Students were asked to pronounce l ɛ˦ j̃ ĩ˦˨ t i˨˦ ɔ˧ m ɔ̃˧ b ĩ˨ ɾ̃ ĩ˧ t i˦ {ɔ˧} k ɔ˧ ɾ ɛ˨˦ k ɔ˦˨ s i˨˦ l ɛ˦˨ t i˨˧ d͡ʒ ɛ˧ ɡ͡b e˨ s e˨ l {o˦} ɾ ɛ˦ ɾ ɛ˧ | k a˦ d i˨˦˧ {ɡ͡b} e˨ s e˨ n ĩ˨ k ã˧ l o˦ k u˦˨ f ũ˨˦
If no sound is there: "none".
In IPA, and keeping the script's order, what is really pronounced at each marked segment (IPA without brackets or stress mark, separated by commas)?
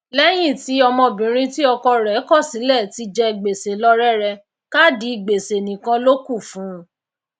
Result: ɔ˧, ɔ˦, ɡ͡b